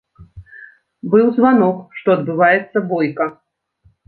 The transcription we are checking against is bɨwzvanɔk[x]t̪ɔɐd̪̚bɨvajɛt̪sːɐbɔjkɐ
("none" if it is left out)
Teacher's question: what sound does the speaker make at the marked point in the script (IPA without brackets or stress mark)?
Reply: ʂ